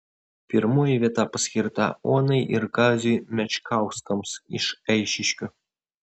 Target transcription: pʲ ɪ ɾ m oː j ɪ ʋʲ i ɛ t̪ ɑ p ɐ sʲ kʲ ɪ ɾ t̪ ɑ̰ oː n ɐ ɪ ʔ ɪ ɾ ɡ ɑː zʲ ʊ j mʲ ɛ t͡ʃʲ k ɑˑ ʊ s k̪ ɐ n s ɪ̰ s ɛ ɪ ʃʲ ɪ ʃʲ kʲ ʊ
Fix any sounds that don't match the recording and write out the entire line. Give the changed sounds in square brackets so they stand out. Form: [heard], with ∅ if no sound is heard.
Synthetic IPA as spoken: pʲ ɪ ɾ m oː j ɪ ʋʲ i ɛ t̪ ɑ p ɐ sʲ kʲ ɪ ɾ t̪ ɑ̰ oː n ɐ ɪ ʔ ɪ ɾ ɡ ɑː zʲ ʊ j mʲ ɛ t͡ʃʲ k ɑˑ ʊ s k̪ ɐ [m] s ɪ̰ [ʃ] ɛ ɪ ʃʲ ɪ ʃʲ kʲ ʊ